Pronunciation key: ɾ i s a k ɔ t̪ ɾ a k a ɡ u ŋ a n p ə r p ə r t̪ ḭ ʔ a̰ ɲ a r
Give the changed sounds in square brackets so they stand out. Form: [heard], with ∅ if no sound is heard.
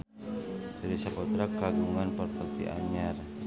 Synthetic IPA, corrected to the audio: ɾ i s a [p] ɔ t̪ ɾ a k a ɡ u ŋ a n p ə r p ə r t̪ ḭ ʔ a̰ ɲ a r